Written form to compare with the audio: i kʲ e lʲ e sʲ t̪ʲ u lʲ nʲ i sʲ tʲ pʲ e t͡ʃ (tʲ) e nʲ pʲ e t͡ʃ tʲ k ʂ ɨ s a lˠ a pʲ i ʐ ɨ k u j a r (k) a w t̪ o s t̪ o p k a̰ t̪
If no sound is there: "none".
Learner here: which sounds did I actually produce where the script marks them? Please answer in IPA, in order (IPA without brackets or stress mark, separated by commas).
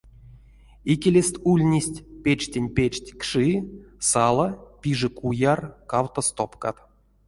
tʲ, k